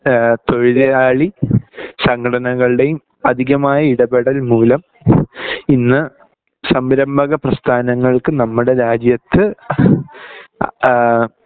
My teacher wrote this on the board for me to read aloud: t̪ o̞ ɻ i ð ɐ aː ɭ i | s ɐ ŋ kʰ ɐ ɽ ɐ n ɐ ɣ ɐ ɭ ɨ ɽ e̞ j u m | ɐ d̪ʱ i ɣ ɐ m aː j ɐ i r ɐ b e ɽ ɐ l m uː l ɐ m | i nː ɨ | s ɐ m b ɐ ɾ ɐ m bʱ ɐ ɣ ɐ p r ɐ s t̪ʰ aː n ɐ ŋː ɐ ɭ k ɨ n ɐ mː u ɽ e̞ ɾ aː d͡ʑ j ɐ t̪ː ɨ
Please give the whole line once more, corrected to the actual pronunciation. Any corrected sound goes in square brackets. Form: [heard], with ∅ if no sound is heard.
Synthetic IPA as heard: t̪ o̞ ɻ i ð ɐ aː ɭ i | s ɐ ŋ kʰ ɐ ɽ ɐ n ɐ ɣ ɐ ɭ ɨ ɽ e̞ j u m | ɐ d̪ʱ i ɣ ɐ m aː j ɐ i [ɽ] ɐ b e ɽ ɐ l m uː l ɐ m | i nː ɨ | s ɐ m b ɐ ɾ ɐ m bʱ ɐ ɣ ɐ p r ɐ s t̪ʰ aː n ɐ ŋː ɐ ɭ k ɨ n ɐ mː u ɽ e̞ ɾ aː d͡ʑ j ɐ t̪ː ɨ

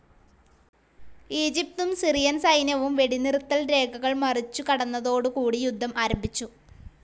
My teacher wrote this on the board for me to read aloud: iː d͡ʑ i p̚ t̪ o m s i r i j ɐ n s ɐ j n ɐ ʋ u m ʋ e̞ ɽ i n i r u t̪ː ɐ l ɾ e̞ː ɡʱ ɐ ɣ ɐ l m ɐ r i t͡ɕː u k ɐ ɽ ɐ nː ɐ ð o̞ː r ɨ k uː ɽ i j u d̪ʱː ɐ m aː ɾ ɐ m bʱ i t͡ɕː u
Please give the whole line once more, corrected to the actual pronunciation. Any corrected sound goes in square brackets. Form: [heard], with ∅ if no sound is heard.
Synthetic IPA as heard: iː d͡ʑ i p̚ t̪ [u] m s i r i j ɐ n s ɐ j n ɐ ʋ u m ʋ e̞ ɽ i n i r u t̪ː ɐ l ɾ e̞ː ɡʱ ɐ ɣ ɐ [ɭ] m ɐ r i t͡ɕː u k ɐ ɽ ɐ nː ɐ ð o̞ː [ɽ] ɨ k uː ɽ i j u d̪ʱː ɐ m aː ɾ ɐ m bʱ i t͡ɕː u

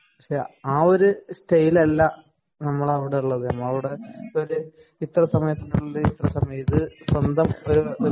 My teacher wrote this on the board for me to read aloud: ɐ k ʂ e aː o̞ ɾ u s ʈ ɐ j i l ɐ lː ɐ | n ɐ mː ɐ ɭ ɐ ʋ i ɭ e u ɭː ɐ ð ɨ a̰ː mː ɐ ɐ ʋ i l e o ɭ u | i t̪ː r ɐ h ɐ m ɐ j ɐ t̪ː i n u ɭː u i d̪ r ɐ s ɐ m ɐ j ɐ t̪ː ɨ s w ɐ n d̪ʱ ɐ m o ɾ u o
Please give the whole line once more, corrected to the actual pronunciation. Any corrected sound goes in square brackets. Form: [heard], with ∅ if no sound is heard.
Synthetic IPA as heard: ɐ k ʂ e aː o̞ ɾ u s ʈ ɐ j i l ɐ lː ɐ | n ɐ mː ɐ ɭ ɐ ʋ i [ɽ] e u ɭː ɐ ð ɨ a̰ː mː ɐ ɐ ʋ i [ɽ] e o [ɾ] u | i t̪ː r ɐ [s] ɐ m ɐ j ɐ t̪ː i n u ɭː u i [t̪] r ɐ s ɐ m ɐ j ɐ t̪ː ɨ s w ɐ n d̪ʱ ɐ m o ɾ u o

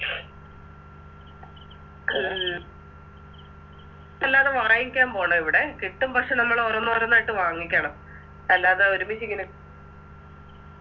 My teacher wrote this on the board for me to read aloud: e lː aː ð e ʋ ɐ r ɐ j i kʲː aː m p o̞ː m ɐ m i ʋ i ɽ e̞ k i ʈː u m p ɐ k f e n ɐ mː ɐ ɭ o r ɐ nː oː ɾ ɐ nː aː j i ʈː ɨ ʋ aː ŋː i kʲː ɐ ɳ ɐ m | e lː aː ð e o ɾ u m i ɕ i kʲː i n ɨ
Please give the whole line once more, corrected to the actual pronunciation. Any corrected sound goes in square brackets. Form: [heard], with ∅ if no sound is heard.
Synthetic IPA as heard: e lː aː ð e ʋ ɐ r ɐ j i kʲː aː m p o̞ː [ɳ] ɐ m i ʋ i ɽ e̞ k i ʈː u m p ɐ k [ʂ] e n ɐ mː ɐ ɭ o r ɐ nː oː ɾ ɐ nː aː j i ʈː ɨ ʋ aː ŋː i kʲː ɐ ɳ ɐ m | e lː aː ð e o ɾ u m i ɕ i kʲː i n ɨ

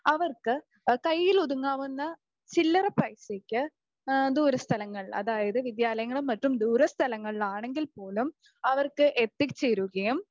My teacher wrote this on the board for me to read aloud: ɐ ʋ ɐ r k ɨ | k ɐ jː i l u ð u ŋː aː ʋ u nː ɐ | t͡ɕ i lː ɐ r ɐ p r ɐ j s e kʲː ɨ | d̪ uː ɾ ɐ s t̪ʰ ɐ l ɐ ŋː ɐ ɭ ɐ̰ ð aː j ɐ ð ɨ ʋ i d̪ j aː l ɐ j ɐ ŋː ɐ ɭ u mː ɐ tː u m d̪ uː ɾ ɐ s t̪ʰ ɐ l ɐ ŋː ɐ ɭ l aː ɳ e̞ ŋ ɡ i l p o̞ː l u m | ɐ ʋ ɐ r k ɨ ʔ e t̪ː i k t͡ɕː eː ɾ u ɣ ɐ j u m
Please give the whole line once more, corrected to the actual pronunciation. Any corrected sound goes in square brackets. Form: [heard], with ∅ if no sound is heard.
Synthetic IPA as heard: ɐ ʋ ɐ r k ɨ | k ɐ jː i l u ð u ŋː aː ʋ u nː ɐ | t͡ɕ i lː ɐ r ɐ p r ɐ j s e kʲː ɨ | d̪ uː ɾ ɐ s t̪ʰ ɐ l ɐ ŋː ɐ ɭ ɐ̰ ð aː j ɐ ð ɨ ʋ i d̪ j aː l ɐ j ɐ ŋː ɐ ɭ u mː ɐ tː u m d̪ uː ɾ ɐ s t̪ʰ ɐ l ɐ ŋː ɐ ɭ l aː ɳ e̞ ŋ ɡ i l p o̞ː l u m | ɐ ʋ ɐ r k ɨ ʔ e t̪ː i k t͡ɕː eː ɾ u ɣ ɐ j u m

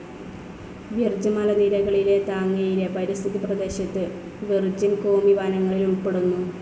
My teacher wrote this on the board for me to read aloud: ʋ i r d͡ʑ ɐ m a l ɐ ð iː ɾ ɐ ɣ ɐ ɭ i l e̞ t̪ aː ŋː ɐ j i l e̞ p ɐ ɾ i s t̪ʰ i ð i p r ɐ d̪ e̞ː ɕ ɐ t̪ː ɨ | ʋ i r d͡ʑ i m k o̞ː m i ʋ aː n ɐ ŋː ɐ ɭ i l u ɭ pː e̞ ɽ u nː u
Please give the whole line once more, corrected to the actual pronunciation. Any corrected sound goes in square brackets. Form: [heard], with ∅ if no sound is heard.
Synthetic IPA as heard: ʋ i r d͡ʑ ɐ m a l ɐ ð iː ɾ ɐ ɣ ɐ ɭ i l e̞ t̪ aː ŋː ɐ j i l e̞ p ɐ ɾ i s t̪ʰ i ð i p r ɐ d̪ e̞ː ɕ ɐ t̪ː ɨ | ʋ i r d͡ʑ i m k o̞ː m i ʋ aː n ɐ ŋː ɐ ɭ i l u ɭ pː e̞ ɽ u nː u

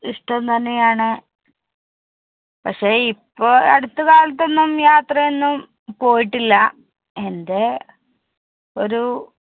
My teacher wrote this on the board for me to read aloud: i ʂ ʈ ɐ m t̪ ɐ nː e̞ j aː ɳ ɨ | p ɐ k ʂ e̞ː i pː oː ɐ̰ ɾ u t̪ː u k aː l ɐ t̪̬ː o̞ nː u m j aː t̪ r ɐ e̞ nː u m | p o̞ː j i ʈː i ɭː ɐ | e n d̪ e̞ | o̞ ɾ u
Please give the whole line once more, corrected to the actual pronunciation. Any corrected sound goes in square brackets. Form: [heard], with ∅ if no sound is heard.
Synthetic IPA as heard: i ʂ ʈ ɐ m t̪ ɐ nː e̞ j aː ɳ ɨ | p ɐ k ʂ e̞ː i pː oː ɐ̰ [ɽ] u t̪ː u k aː l ɐ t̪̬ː o̞ nː u m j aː t̪ r ɐ e̞ nː u m | p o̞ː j i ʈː i [lː] ɐ | e n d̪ e̞ | o̞ ɾ u

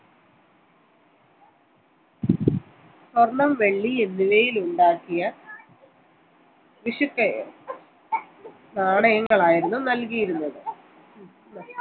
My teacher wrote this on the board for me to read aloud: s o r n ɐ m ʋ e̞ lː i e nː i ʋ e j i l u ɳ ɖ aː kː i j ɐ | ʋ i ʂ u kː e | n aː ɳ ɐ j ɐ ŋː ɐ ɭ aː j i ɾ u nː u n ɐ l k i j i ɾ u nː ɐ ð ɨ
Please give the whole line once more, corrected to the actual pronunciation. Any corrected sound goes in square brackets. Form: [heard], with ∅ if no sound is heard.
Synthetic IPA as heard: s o r n ɐ m ʋ e̞ [ɭː] i e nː i ʋ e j i l u ɳ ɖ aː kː i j ɐ | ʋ i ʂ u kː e | n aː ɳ ɐ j ɐ ŋː ɐ ɭ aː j i ɾ u nː u n ɐ l k i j i ɾ u nː ɐ ð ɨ

